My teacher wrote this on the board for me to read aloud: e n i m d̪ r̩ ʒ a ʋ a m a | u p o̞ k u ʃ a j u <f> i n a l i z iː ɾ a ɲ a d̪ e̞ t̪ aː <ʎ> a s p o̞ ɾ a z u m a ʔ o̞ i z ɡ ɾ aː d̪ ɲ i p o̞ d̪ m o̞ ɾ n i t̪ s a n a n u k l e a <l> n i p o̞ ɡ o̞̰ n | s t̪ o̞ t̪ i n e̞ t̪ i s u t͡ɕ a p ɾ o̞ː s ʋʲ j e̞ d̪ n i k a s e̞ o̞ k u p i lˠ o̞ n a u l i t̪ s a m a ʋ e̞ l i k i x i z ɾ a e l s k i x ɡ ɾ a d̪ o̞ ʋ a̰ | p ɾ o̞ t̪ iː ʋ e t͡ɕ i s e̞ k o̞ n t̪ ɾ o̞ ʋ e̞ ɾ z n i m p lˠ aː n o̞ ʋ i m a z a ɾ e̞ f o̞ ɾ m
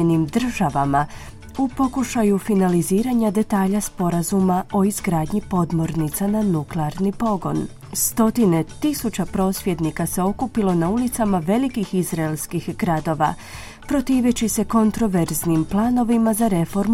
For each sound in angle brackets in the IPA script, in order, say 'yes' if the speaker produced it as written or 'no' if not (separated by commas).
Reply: yes, yes, no